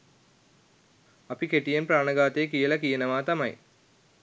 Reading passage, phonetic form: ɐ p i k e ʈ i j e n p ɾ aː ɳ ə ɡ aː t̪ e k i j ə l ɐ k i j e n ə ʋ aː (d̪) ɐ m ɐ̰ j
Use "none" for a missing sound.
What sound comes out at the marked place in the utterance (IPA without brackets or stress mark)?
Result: t̪